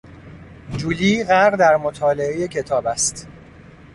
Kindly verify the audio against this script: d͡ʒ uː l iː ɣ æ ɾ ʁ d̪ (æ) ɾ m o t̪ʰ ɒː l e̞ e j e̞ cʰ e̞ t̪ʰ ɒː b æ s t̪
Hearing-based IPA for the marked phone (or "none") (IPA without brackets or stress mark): æ